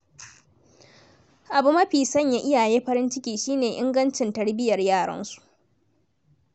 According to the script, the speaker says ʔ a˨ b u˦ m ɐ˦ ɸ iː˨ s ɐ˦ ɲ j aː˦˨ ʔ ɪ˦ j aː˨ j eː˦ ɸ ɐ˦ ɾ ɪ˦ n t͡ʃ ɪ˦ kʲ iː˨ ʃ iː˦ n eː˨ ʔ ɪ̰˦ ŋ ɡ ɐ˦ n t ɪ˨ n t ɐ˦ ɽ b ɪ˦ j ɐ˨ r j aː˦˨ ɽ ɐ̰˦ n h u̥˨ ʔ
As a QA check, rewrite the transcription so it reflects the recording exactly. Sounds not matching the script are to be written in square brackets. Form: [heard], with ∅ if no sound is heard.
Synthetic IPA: ʔ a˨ b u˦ m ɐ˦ ɸ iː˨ s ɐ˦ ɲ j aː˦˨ ʔ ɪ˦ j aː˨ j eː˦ ɸ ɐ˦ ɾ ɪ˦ n t͡ʃ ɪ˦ kʲ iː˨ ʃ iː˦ n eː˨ ʔ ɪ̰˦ ŋ ɡ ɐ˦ n [t͡ʃ] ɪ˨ n t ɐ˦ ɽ b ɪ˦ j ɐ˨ r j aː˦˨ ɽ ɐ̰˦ n [s] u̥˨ ʔ